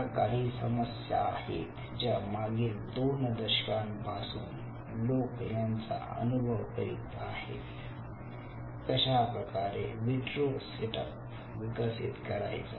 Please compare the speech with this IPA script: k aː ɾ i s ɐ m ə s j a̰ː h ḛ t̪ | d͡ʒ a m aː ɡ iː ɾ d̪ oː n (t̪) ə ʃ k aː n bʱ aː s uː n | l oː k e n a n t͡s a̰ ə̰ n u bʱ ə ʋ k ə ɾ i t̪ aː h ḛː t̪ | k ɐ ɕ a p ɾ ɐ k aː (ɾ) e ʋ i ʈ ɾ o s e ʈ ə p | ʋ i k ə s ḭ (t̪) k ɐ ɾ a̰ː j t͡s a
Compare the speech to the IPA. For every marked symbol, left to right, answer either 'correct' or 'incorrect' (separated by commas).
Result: incorrect, correct, correct